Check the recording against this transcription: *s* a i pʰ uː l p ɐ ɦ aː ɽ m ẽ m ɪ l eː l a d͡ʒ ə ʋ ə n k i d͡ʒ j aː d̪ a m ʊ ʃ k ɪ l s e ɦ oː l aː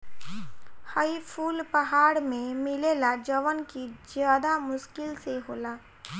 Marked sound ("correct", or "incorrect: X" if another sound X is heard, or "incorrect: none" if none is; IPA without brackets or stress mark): incorrect: h